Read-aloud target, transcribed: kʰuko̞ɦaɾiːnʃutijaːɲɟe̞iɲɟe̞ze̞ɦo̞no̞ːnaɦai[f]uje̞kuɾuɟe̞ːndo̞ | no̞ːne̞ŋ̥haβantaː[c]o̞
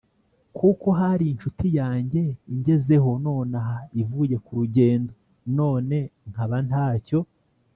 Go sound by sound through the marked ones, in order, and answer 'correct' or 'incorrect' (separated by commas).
incorrect, correct